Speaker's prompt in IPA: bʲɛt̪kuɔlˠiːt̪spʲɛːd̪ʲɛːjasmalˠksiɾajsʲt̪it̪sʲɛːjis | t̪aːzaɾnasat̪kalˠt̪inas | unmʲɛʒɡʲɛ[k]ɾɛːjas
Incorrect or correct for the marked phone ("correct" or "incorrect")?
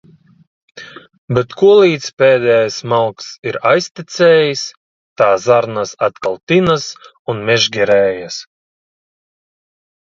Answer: incorrect